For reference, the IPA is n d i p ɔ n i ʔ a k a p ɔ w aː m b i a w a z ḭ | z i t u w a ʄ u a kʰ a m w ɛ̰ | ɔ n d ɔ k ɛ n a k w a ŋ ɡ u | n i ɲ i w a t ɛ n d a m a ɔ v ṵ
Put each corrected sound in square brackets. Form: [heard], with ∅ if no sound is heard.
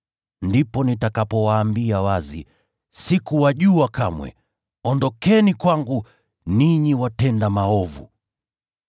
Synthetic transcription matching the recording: n d i p ɔ n i [t] a k a p ɔ w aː m b i a w a z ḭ | [s] i [k] u w a ʄ u a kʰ a m w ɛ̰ | ɔ n d ɔ k ɛ n [i] k w a ŋ ɡ u | n i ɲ i w a t ɛ n d a m a ɔ v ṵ